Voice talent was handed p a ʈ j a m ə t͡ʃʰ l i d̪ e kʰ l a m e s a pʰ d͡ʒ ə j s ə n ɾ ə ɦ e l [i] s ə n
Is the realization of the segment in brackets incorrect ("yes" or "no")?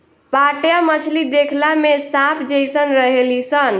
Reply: no